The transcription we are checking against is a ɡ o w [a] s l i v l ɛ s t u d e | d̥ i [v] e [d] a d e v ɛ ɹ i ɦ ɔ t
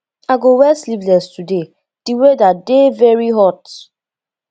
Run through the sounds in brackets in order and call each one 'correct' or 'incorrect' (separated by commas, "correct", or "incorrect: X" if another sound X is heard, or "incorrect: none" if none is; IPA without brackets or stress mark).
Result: incorrect: ɛ, incorrect: w, correct